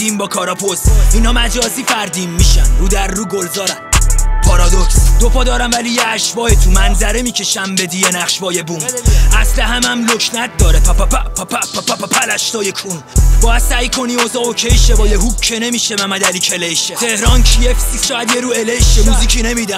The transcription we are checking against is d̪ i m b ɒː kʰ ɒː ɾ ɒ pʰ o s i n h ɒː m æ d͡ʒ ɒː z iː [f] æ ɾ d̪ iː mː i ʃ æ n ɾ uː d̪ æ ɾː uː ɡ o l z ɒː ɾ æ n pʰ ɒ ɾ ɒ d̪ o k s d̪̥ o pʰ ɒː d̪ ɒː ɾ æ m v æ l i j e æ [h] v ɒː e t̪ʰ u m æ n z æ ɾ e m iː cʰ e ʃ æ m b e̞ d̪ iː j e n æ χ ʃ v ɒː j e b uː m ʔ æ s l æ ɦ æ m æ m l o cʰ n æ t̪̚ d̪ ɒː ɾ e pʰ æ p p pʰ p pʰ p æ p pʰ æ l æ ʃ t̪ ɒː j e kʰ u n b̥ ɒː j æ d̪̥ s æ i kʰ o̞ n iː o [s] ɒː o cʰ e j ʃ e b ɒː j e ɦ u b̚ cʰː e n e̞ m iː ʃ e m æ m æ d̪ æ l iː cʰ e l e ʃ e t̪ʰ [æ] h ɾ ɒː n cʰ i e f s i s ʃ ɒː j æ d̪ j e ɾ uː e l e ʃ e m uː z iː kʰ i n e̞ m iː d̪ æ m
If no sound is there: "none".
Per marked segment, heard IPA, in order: f, ʃ, z, e

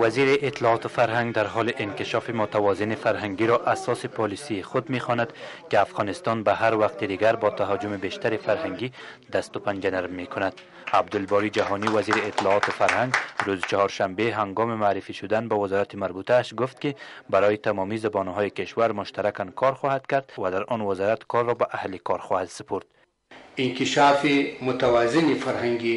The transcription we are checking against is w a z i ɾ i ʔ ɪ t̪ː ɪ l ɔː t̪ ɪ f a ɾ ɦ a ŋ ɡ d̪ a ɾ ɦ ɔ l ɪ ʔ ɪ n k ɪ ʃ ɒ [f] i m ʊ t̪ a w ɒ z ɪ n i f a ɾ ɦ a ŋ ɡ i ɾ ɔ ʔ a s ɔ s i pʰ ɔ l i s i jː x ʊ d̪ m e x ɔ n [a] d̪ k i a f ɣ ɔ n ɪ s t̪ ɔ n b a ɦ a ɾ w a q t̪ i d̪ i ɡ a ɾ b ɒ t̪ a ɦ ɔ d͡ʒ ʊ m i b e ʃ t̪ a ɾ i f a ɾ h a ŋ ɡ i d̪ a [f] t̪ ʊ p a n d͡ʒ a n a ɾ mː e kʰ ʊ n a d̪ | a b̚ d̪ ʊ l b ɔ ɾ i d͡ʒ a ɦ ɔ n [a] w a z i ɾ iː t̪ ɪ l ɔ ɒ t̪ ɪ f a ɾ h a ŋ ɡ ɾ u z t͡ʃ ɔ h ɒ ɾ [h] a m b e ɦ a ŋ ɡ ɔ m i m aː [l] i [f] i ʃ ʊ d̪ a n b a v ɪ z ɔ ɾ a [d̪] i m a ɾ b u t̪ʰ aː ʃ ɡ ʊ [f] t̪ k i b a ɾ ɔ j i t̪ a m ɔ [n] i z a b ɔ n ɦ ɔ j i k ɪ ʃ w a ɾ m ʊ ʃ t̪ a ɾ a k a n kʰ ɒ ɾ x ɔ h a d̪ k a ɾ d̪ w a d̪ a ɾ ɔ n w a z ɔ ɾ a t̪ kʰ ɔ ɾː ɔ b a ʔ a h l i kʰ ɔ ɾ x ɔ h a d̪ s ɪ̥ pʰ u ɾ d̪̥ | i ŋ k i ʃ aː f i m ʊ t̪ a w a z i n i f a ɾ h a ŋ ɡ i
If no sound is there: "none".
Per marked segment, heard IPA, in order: f, a, s, i, ʃ, ɾ, f, t̪, f, m

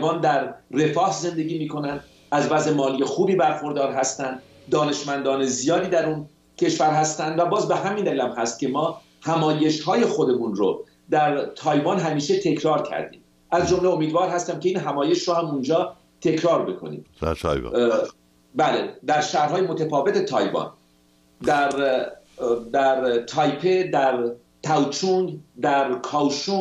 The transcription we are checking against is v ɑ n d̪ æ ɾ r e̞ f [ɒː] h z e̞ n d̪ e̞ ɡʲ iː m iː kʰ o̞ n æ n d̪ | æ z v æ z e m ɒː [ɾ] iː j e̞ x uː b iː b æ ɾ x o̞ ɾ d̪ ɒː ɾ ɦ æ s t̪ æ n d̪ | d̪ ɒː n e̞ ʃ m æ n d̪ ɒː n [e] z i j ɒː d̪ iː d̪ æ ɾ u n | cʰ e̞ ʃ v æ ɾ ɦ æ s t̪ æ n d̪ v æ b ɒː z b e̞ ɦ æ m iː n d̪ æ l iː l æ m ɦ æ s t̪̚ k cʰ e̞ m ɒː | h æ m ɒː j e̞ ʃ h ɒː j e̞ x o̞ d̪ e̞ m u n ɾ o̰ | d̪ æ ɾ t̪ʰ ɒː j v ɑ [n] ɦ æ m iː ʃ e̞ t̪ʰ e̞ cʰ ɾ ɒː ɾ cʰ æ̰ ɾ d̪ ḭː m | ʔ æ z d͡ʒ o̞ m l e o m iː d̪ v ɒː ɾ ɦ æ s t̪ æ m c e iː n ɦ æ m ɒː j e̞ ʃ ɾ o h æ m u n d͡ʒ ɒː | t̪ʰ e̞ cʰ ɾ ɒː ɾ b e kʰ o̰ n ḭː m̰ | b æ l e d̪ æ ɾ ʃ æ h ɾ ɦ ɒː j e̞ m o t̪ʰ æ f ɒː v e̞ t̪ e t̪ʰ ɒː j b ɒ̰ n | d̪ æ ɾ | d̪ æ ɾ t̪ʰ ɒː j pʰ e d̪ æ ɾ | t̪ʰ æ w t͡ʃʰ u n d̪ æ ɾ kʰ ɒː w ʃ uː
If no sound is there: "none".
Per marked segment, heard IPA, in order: ɒː, l, e, n

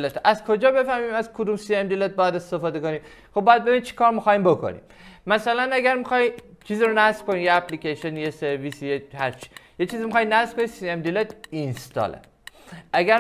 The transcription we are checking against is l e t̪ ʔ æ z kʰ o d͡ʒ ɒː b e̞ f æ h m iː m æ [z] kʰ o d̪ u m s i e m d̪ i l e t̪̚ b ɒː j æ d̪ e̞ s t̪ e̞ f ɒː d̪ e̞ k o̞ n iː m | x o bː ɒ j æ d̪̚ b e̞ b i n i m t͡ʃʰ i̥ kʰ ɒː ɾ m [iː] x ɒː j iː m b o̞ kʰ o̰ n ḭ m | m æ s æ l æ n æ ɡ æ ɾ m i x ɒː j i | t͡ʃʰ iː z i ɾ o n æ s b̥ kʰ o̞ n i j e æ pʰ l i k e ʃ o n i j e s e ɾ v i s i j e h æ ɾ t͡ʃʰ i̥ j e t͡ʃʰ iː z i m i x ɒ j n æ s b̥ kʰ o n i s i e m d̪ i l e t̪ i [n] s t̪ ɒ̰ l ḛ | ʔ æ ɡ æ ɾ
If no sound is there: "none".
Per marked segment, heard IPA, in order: z, i, n

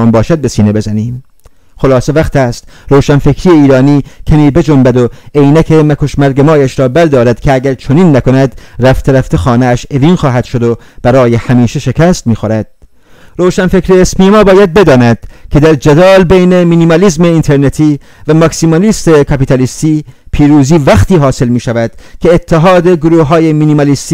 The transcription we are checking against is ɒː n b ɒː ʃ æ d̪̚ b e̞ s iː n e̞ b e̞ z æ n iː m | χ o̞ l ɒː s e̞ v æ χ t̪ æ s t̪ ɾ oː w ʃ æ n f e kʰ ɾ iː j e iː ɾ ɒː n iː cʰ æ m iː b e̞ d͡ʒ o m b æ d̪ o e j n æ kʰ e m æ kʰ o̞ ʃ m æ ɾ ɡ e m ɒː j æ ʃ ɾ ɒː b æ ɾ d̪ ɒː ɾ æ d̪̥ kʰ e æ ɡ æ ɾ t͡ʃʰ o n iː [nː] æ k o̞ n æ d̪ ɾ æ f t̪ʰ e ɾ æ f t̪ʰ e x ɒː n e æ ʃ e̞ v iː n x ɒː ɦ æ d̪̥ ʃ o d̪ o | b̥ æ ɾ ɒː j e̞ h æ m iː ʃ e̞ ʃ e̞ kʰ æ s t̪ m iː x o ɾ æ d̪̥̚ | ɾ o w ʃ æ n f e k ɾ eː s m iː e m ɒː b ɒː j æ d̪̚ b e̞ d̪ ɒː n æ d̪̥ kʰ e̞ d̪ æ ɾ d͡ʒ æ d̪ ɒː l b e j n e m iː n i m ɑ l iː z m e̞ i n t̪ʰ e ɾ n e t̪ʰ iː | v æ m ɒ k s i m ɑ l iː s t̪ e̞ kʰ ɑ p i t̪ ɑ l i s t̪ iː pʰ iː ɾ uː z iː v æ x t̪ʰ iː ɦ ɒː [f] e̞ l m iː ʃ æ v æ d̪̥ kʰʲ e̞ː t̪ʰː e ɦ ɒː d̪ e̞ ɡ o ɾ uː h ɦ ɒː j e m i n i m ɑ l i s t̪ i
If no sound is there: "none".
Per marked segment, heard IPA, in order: nː, s

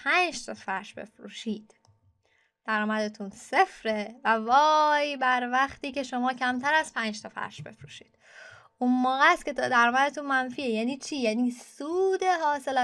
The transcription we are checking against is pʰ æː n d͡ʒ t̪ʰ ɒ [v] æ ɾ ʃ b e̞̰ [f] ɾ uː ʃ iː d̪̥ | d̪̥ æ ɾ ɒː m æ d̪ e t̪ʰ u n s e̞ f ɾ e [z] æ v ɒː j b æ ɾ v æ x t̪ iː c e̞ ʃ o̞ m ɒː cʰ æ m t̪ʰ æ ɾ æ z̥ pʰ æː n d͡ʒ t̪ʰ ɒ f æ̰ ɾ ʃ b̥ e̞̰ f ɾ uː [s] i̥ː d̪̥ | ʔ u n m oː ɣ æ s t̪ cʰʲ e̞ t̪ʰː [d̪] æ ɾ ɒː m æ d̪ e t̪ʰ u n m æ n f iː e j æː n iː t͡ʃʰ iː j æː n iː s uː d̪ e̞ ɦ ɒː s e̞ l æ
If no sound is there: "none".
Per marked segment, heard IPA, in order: f, f, v, ʃ, d̪

